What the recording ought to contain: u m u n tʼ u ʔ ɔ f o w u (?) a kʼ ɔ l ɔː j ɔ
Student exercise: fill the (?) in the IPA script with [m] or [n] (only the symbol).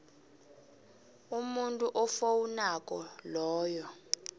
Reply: n